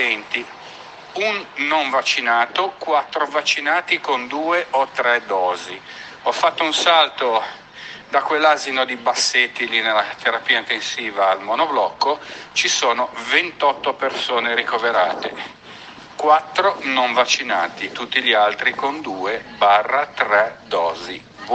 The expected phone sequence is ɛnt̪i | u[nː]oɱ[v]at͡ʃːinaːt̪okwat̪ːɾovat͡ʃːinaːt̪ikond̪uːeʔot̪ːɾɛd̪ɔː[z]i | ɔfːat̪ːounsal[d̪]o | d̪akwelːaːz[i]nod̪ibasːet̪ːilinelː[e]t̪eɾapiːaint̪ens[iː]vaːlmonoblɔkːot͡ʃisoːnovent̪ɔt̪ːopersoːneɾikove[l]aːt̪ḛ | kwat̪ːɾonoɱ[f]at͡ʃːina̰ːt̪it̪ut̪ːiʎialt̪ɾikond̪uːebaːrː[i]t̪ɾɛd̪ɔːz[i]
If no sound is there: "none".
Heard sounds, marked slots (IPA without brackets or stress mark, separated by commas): nː, v, z, t̪, i, a, iː, ɾ, v, a, i